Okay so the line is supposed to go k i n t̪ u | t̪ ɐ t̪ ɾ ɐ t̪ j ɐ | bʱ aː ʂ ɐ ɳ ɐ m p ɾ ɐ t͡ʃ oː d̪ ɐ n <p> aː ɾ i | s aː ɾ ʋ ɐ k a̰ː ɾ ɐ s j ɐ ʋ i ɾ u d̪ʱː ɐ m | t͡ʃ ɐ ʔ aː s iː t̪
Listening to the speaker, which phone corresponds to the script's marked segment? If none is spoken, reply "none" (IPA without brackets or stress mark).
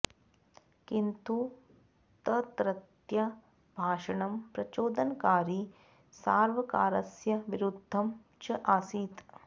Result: k